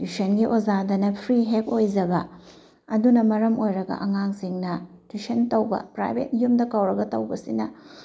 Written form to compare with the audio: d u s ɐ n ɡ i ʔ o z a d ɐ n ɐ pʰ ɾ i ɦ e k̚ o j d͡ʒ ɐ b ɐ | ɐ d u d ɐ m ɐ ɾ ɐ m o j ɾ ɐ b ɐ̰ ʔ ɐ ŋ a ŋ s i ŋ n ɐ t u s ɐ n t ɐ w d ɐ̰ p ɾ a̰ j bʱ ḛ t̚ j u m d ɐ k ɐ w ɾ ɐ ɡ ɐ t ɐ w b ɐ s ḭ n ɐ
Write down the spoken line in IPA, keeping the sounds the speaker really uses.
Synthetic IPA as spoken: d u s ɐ n ɡ i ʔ o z a d ɐ n ɐ pʰ ɾ i ɦ e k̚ o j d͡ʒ ɐ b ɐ | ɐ d u n ɐ m ɐ ɾ ɐ m o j ɾ ɐ ɡ ɐ̰ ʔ ɐ ŋ a ŋ s i ŋ n ɐ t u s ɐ n t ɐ w b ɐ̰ p ɾ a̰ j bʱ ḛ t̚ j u m d ɐ k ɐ w ɾ ɐ ɡ ɐ t ɐ w b ɐ s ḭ n ɐ